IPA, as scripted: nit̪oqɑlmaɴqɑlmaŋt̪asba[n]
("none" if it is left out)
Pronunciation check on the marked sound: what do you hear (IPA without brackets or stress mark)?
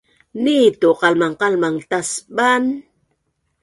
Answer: n